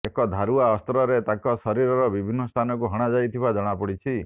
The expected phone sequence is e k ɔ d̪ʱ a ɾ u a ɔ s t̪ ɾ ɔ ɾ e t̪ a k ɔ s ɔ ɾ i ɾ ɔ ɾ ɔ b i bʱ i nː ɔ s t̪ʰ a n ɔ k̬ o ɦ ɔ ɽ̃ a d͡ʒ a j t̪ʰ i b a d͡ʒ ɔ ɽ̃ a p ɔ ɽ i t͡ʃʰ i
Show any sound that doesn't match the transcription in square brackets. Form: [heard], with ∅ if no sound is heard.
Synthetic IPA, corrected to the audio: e k ɔ d̪ʱ a ɾ u a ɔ s t̪ ɾ ɔ ɾ e t̪ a k ɔ s ɔ ɾ i ɾ ɔ ɾ ɔ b i bʱ i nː ɔ s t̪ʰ a n ɔ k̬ [u] ɦ ɔ ɽ̃ a d͡ʒ a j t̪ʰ i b a d͡ʒ ɔ ɽ̃ a p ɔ ɽ i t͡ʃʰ i